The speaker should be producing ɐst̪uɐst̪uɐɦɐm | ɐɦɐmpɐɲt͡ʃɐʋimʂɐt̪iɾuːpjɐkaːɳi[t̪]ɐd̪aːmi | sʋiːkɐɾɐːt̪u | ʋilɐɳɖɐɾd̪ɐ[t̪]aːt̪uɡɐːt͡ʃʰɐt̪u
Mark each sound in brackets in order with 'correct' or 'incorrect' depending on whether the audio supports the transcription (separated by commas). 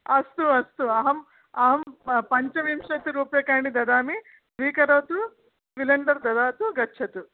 incorrect, incorrect